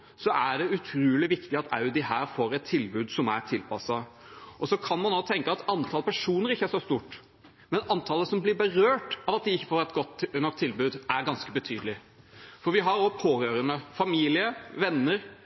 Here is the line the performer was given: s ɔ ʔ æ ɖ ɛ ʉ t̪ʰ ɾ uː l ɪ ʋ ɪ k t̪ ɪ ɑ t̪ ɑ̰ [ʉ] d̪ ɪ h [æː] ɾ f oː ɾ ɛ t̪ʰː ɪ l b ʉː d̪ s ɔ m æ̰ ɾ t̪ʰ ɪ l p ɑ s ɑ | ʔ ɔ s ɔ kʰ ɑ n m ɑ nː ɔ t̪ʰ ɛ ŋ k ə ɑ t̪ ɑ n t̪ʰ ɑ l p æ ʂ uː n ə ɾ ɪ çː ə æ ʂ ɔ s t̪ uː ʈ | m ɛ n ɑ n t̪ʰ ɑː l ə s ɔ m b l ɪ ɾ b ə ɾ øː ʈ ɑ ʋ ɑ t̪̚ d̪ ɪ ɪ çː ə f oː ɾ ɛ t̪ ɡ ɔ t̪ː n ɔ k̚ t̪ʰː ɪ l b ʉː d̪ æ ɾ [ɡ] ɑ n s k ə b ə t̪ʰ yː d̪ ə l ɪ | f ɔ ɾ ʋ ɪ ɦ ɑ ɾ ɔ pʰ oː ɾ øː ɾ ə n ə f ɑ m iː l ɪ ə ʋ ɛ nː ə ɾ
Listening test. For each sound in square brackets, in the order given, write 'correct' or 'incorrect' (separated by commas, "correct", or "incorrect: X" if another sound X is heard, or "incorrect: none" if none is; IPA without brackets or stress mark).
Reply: correct, correct, correct